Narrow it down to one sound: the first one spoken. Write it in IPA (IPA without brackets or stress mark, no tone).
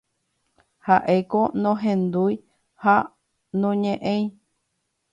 h